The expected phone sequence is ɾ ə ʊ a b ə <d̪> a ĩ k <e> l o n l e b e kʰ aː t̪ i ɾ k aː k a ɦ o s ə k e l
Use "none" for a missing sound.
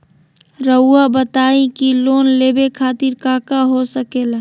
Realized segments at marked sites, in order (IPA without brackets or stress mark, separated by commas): t̪, i